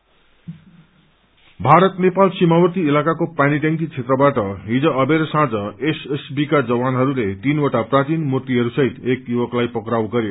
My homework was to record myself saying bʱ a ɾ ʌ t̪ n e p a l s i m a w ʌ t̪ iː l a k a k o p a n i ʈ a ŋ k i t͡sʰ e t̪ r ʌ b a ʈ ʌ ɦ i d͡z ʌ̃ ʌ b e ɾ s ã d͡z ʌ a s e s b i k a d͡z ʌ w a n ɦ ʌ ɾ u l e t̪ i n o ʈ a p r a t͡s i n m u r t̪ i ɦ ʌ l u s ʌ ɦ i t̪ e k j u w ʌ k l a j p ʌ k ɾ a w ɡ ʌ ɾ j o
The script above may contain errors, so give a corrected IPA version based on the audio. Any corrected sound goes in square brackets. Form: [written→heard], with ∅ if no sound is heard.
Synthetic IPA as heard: bʱ a ɾ ʌ t̪ n e p a l s i m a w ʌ t̪ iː l a k a k o p a n i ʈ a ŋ k i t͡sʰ e t̪ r ʌ b a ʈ ʌ ɦ i d͡z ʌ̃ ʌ b e ɾ s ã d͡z ʌ [a→e] s e s b i k a d͡z ʌ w a n ɦ ʌ ɾ u l e t̪ i n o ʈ a p r a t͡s i n m u r t̪ i ɦ ʌ [l→ɾ] u s ʌ ɦ i t̪ e k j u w ʌ k l a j p ʌ k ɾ a w ɡ ʌ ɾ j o

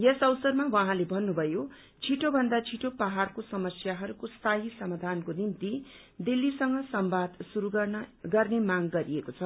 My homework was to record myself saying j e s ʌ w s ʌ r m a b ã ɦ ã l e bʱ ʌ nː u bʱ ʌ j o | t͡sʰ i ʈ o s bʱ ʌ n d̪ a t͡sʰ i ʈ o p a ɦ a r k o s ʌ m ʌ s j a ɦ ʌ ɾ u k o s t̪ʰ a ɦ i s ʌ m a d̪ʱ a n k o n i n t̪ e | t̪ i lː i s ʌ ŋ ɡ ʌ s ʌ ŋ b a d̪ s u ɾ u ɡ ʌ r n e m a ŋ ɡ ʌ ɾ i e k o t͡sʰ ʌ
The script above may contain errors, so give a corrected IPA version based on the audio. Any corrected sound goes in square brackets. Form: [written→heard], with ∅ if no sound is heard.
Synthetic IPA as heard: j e s ʌ w s ʌ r m a [b→w] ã ɦ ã l e bʱ ʌ nː u bʱ ʌ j o | t͡sʰ i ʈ o [s→∅] bʱ ʌ n d̪ a t͡sʰ i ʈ o p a ɦ a r k o s ʌ m ʌ s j a ɦ ʌ ɾ u k o s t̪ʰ a ɦ i s ʌ m a d̪ʱ a n k o n i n t̪ [e→i] | [t̪→d̪] i lː i s ʌ ŋ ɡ ʌ s ʌ [ŋ→m] b a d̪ s u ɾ u ɡ ʌ r n e m a ŋ ɡ ʌ ɾ i e k o t͡sʰ ʌ

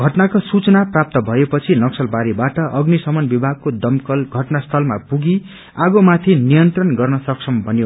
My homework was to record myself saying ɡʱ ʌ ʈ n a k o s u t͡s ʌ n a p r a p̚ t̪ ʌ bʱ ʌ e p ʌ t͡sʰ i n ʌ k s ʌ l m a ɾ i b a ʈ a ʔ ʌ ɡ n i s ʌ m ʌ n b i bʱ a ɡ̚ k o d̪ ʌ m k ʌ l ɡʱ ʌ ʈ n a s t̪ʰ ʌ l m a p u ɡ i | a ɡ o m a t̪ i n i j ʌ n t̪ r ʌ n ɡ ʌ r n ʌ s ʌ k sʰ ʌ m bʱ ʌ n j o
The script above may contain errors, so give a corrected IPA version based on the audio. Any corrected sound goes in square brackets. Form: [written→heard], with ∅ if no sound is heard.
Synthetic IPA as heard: ɡʱ ʌ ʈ n a k o s u t͡s ʌ n a p r a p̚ t̪ ʌ bʱ ʌ e p ʌ t͡sʰ i n ʌ k s ʌ l [m→b] a ɾ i b a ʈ [a→ʌ] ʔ ʌ ɡ n i s ʌ m ʌ n b i bʱ a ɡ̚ k o d̪ ʌ m k ʌ l ɡʱ ʌ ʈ n a s t̪ʰ ʌ l m a p u ɡ i | a ɡ o m a [t̪→t̪ʰ] i n i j ʌ n t̪ r ʌ n ɡ ʌ r n ʌ s ʌ k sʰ ʌ m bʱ ʌ n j o

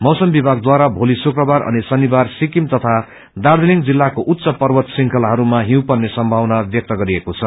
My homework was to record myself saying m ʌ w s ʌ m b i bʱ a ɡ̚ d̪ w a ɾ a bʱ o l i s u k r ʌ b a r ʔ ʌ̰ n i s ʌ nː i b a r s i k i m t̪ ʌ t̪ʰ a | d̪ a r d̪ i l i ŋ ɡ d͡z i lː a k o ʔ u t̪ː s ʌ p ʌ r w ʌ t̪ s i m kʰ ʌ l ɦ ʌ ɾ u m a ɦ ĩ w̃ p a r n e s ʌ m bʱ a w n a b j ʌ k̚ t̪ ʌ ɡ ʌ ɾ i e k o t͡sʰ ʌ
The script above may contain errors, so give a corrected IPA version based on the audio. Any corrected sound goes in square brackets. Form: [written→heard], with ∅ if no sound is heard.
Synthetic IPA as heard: m ʌ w s ʌ m b i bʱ a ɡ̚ d̪ w a ɾ a bʱ o l i s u k r ʌ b a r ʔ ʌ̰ n i s ʌ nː i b a r s i k i m t̪ ʌ t̪ʰ a | d̪ a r d̪ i l i ŋ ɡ d͡z i lː a k o ʔ u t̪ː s ʌ p ʌ r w ʌ t̪ s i [m→ŋ] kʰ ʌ l ɦ ʌ ɾ u m a ɦ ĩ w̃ p [a→ʌ] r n e s ʌ m bʱ a w n a b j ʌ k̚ t̪ ʌ ɡ ʌ ɾ i e k o t͡sʰ ʌ

